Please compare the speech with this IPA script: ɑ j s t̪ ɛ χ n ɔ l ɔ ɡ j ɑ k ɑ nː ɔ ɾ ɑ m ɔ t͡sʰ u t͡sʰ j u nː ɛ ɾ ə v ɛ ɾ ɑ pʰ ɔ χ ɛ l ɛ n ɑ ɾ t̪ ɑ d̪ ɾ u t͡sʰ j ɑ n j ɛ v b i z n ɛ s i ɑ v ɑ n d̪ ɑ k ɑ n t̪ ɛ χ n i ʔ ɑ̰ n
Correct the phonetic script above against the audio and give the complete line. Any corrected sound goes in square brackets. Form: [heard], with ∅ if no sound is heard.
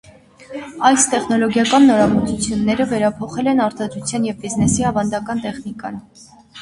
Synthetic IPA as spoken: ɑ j s t̪ ɛ χ n ɔ l ɔ ɡ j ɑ k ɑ nː ɔ ɾ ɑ m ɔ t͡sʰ u t͡sʰ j u nː ɛ ɾ ə v ɛ ɾ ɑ pʰ ɔ χ ɛ l ɛ n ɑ ɾ t̪ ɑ d̪ ɾ u t͡sʰ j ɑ n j ɛ v b i z n ɛ s i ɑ v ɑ n d̪ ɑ k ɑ n t̪ ɛ χ n i [k] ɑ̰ n